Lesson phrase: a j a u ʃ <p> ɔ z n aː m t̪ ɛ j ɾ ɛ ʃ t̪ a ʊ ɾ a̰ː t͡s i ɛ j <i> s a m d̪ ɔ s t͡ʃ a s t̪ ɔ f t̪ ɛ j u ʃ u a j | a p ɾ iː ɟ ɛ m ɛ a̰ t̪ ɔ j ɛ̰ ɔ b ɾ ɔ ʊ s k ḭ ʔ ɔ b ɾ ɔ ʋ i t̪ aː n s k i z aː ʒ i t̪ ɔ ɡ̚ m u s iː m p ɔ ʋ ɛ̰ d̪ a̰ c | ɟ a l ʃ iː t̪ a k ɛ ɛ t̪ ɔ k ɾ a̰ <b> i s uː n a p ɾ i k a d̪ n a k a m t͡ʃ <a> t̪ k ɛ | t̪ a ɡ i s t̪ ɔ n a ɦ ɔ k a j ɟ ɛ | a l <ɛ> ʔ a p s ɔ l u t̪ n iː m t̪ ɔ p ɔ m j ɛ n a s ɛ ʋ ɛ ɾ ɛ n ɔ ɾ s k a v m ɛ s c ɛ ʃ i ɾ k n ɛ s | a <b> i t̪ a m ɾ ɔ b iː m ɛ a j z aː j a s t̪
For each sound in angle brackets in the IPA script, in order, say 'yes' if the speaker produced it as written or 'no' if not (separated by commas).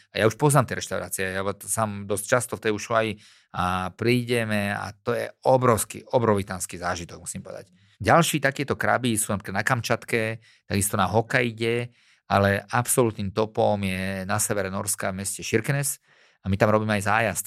yes, no, yes, yes, yes, no